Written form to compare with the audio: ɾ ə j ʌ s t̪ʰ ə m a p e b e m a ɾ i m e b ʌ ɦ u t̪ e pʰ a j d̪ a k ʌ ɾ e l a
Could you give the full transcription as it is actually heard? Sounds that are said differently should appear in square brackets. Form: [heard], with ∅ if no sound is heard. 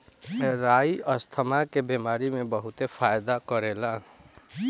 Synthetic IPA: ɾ [a] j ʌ s t̪ʰ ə m a [k] e b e m a ɾ i m e b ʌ ɦ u t̪ e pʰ a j d̪ a k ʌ ɾ e l a